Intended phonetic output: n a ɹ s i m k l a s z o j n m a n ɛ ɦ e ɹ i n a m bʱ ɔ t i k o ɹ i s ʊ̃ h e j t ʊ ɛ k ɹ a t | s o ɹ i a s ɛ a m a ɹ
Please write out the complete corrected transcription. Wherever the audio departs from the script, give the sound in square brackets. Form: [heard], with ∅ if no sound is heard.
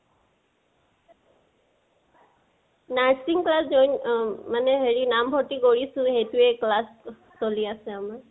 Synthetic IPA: n a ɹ s i [ŋ] k l a s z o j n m a n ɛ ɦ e ɹ i n a m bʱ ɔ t i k o ɹ i s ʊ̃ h e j t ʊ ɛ k [l] a [s] | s o [l] i a s ɛ a m a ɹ